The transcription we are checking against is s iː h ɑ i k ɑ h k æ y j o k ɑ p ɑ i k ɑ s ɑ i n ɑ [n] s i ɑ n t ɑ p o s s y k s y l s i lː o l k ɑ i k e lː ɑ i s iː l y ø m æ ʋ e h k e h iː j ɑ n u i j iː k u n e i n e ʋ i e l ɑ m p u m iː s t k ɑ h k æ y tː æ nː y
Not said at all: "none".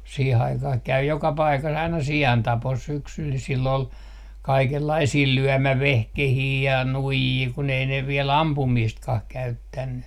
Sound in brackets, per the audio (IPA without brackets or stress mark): none